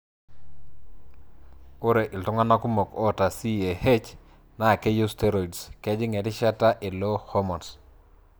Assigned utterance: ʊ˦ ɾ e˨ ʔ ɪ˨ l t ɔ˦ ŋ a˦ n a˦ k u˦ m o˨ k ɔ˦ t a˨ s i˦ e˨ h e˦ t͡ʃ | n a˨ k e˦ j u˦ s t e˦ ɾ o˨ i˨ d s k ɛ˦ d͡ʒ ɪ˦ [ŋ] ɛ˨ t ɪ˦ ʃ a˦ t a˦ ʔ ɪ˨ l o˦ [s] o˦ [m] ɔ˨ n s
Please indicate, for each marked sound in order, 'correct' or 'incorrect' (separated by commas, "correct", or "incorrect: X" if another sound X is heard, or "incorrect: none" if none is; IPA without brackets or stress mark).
correct, incorrect: h, correct